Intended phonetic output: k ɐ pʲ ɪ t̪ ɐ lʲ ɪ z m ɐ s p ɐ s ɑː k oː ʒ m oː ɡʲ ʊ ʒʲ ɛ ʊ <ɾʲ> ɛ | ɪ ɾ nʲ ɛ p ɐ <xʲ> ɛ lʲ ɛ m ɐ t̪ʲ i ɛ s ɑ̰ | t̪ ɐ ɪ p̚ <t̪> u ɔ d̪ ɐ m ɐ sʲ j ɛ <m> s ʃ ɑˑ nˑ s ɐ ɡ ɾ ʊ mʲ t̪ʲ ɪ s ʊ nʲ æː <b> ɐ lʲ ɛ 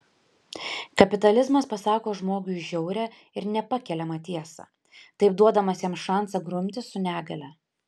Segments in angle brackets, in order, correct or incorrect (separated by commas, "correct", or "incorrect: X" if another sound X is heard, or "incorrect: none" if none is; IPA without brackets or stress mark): correct, incorrect: kʲ, incorrect: d̪, correct, incorrect: ɡ